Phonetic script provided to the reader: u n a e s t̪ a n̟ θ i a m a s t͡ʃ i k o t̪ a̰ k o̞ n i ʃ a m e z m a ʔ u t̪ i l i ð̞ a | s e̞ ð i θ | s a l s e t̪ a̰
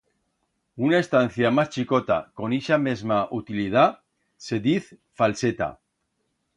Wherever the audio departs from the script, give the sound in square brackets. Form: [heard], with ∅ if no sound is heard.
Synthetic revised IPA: u n a e s t̪ a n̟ θ [j] a m a s t͡ʃ i k o t̪ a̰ k o̞ n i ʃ a m e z m a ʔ u t̪ i l i ð̞ a | s e̞ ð i θ | [f] a l s e t̪ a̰